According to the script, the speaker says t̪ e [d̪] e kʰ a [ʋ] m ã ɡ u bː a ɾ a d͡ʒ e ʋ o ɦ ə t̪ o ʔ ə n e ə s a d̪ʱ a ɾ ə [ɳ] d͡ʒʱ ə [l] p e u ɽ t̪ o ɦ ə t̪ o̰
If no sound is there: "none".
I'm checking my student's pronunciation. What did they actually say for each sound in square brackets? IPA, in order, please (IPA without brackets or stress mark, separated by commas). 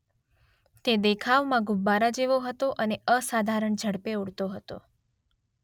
d̪, ʋ, ɳ, ɽ